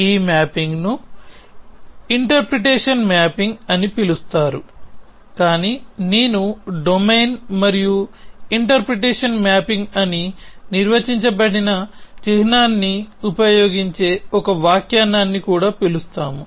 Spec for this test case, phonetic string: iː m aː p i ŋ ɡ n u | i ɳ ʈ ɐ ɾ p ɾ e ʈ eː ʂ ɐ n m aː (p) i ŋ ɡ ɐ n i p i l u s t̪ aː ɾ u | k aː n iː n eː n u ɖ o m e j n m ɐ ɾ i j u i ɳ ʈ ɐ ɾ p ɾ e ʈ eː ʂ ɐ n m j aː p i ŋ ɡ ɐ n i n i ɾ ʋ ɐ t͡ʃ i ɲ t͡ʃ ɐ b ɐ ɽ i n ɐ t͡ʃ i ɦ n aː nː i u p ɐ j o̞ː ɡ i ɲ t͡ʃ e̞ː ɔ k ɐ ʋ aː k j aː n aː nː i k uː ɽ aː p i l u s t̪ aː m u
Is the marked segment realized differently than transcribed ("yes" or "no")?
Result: no